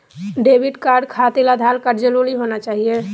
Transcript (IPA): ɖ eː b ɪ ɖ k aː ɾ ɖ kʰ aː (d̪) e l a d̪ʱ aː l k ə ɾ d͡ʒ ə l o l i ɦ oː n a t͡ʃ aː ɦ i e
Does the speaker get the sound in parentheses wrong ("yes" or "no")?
yes